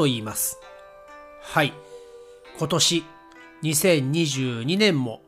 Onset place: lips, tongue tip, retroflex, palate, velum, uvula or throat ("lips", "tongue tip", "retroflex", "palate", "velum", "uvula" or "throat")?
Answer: lips